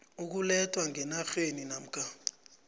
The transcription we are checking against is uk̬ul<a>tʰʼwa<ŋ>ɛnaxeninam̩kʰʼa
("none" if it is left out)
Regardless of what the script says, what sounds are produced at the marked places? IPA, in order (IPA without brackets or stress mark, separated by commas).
ɛ, ŋ